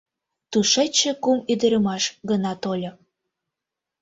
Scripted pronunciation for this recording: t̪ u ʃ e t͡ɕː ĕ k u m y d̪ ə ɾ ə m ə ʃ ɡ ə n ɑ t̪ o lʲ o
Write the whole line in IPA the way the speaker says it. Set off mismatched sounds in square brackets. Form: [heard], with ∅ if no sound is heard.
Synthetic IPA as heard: t̪ u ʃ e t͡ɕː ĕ k u m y d̪ ə ɾ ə m [ɑ] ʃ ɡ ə n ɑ t̪ o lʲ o